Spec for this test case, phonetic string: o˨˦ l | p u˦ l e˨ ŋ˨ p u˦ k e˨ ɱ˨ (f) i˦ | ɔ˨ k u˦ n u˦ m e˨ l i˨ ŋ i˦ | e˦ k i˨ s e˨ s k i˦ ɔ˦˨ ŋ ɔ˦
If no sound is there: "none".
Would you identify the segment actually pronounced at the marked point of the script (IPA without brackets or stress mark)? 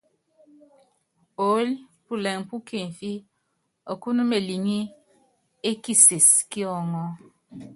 f